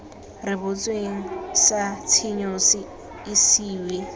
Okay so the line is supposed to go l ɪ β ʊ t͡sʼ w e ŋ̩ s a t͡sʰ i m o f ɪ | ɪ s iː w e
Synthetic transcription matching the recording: r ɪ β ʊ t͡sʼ w e ŋ̩ s a t͡sʰ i ɲ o s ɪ | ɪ s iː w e